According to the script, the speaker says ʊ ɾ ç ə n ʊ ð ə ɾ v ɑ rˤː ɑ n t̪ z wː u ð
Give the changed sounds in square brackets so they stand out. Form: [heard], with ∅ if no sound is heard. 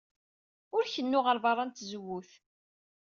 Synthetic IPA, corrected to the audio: ʊ ɾ ç ə [nː] ʊ [ʁ] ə ɾ v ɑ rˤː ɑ n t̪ z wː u [θ]